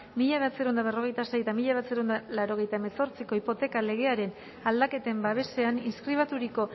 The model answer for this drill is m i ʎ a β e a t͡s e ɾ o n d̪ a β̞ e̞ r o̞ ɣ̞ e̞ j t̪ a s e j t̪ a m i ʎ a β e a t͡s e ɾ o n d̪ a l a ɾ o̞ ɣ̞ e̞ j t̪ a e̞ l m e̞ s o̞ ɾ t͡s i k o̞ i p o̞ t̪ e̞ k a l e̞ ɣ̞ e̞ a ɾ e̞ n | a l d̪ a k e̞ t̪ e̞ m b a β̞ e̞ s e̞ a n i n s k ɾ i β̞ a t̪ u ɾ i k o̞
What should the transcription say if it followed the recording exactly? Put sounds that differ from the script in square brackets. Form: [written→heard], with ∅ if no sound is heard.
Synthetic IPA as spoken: m i ʎ a β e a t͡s e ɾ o n d̪ a β̞ e̞ r o̞ ɣ̞ e̞ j t̪ a s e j t̪ a m i ʎ a β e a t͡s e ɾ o n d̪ a l a ɾ o̞ ɣ̞ e̞ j t̪ a e̞ [l→∅] m e̞ s o̞ ɾ t͡s i k o̞ i p o̞ t̪ e̞ k a l e̞ ɣ̞ e̞ a ɾ e̞ n | a l d̪ a k e̞ t̪ e̞ m b a β̞ e̞ s e̞ a n i n s k ɾ i β̞ a t̪ u ɾ i k o̞